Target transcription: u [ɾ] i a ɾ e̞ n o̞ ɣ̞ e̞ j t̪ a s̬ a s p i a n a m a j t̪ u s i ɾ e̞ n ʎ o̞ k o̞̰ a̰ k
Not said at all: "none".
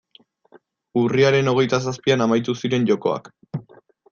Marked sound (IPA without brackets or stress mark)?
r